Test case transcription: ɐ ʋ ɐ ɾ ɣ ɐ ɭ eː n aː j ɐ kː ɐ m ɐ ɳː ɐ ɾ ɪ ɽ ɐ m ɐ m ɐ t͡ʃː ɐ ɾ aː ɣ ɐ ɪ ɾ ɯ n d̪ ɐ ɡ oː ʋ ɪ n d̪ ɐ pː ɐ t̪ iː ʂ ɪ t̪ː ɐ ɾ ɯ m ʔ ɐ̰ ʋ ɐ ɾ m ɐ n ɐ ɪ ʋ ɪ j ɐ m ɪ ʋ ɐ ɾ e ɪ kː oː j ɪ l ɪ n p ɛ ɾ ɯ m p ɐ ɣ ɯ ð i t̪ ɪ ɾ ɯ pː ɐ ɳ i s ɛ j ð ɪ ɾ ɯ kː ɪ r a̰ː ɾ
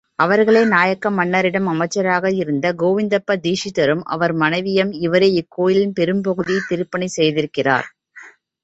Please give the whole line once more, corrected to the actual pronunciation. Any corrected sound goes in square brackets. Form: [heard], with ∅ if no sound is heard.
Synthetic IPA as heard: ɐ ʋ ɐ ɾ ɣ ɐ ɭ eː n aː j ɐ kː ɐ m ɐ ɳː ɐ ɾ ɪ ɽ ɐ m ɐ m ɐ t͡ʃː ɐ ɾ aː ɣ ɐ ɪ ɾ ɯ n d̪ ɐ ɡ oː ʋ ɪ n d̪ ɐ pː ɐ [d̪] iː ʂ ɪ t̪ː ɐ ɾ ɯ m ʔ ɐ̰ ʋ ɐ ɾ m ɐ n ɐ ɪ ʋ ɪ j ɐ m ɪ ʋ ɐ ɾ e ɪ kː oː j ɪ l ɪ n p ɛ ɾ ɯ m p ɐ ɣ ɯ ð i t̪ ɪ ɾ ɯ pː ɐ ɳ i s ɛ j ð ɪ ɾ ɯ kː ɪ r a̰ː ɾ